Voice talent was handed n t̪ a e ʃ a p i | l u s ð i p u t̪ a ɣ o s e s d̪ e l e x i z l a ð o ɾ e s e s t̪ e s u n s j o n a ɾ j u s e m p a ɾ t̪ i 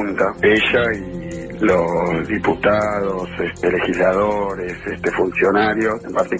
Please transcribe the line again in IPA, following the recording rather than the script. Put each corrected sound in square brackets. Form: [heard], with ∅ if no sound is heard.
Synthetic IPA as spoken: n t̪ a e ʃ a [∅] i | l [o] s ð i p u t̪ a [ð] o s e s [t̪] e l e x i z l a ð o ɾ e s e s t̪ e [f] u n s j o n a ɾ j [o] s e m p a ɾ t̪ i

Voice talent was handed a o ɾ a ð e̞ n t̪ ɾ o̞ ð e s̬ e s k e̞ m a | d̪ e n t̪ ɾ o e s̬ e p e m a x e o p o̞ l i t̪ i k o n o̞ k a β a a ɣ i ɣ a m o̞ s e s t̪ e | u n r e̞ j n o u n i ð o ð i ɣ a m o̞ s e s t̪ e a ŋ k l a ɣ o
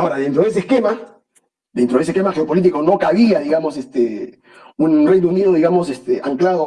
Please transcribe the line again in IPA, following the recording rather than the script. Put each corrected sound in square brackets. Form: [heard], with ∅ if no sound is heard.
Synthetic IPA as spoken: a o ɾ a ð e̞ n t̪ ɾ o̞ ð e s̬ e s k e̞ m a | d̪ e n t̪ ɾ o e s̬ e [k] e m a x e o p o̞ l i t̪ i k o n o̞ k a β [i] a [ð] i ɣ a m o̞ s e s t̪ e | u n r e̞ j n o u n i ð o ð i ɣ a m o̞ s e s t̪ e a ŋ k l a [ð] o

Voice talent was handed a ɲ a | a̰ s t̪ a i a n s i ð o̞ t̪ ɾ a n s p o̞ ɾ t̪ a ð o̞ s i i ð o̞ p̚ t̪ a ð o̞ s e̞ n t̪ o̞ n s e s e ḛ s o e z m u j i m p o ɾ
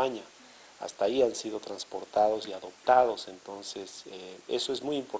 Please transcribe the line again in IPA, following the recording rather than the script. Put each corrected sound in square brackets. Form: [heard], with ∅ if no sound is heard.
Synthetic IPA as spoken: a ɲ a | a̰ s t̪ a i a n s i ð o̞ t̪ ɾ a n s p o̞ ɾ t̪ a ð o̞ s i [a] ð o̞ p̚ t̪ a ð o̞ s e̞ n t̪ o̞ n s e s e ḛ s o e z m u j i m p o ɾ

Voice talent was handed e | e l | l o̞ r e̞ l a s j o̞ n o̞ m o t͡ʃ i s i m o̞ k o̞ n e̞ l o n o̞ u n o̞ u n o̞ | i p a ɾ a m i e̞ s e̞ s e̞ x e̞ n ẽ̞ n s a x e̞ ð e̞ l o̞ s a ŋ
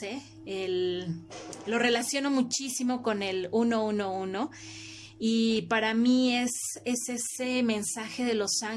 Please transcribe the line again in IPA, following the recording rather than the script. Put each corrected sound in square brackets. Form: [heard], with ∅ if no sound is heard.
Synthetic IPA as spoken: e | e l | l o̞ r e̞ l a s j o̞ n o̞ m [u] t͡ʃ i s i m o̞ k o̞ n e̞ l [u] n o̞ u n o̞ u n o̞ | i p a ɾ a m i e̞ s e̞ s e̞ [s] e̞ [m] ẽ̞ n s a x e̞ ð e̞ l o̞ s a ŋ

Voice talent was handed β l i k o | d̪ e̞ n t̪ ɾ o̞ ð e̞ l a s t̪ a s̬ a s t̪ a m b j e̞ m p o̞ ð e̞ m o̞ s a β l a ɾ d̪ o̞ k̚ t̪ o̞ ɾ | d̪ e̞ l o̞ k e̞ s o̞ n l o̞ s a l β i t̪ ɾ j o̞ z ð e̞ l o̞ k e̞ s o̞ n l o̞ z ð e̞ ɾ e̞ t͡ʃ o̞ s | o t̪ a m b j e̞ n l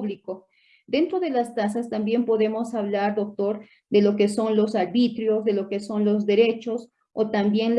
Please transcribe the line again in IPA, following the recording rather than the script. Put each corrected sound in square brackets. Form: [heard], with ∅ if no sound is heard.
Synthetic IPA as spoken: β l i k o | d̪ e̞ n t̪ ɾ o̞ ð e̞ l a s t̪ a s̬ a s t̪ a m b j e̞ m p o̞ ð e̞ m o̞ s a β l a ɾ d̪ o̞ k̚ t̪ o̞ ɾ | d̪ e̞ l o̞ k e̞ s o̞ n l o̞ s a [ɾ] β i t̪ ɾ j o̞ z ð e̞ l o̞ k e̞ s o̞ n l o̞ z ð e̞ ɾ e̞ t͡ʃ o̞ s | o t̪ a m b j e̞ n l

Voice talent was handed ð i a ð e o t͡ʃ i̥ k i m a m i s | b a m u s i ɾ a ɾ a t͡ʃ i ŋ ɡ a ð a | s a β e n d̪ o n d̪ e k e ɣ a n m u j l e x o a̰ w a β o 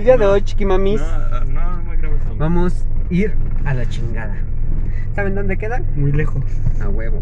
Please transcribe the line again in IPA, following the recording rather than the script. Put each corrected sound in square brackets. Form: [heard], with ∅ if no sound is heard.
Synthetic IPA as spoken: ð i a ð e o t͡ʃ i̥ k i m a m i s | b a m [o] s i ɾ a [l] a t͡ʃ i ŋ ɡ a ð a | s a β e n d̪ o n d̪ e k e [ð] a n m u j l e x o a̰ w [e] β o

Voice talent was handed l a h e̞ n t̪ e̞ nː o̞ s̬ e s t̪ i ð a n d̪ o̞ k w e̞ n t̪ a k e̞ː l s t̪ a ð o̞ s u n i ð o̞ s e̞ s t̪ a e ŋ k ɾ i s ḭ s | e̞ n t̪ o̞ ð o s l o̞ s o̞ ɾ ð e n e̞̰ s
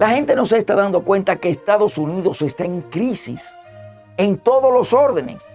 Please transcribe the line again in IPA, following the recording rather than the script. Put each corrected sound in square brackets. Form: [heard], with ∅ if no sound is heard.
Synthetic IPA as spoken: l a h e̞ n t̪ e̞ [n] o̞ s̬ e s t̪ [a] ð a n d̪ o̞ k w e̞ n t̪ a k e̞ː [∅] s t̪ a ð o̞ s u n i ð o̞ s e̞ s t̪ a e ŋ k ɾ i s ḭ s | e̞ n t̪ o̞ ð o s l o̞ s o̞ ɾ ð e n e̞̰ s

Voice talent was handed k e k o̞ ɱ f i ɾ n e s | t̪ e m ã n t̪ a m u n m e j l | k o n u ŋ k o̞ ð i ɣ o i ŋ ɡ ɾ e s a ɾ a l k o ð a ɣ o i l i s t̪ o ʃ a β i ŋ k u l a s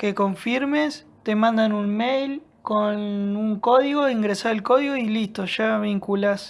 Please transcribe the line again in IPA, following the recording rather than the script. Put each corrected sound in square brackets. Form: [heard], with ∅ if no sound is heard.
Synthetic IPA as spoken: k e k o̞ ɱ f i ɾ [m] e s | t̪ e m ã n [d̪] a [n] u n m e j l | k o n u ŋ k o̞ ð i ɣ o i ŋ ɡ ɾ e s a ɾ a l k o ð [i] ɣ o i l i s t̪ o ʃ a β i ŋ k u l a s

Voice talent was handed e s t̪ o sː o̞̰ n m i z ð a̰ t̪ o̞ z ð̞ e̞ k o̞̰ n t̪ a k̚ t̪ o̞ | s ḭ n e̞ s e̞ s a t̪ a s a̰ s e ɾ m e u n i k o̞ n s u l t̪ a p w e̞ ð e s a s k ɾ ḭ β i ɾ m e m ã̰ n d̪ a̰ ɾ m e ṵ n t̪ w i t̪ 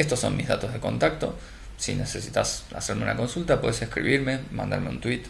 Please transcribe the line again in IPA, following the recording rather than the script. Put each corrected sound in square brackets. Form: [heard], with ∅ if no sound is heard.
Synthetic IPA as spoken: e s t̪ o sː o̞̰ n m i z ð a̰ t̪ o̞ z ð̞ e̞ k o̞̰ n t̪ a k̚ t̪ o̞ | s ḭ n e̞ s e̞ s [i] t̪ a s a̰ s e ɾ m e u n [a] k o̞ n s u l t̪ a p w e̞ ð e s [e] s k ɾ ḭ β i ɾ m e m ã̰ n d̪ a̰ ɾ m e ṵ n t̪ w i t̪

